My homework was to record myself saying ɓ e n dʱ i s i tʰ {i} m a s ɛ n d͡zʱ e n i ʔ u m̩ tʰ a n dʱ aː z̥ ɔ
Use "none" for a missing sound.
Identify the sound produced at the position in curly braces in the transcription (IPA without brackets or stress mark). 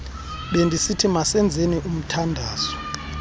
i